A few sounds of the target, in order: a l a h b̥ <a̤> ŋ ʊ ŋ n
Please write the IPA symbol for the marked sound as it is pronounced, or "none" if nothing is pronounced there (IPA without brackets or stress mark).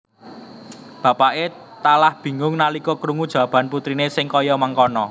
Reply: i̤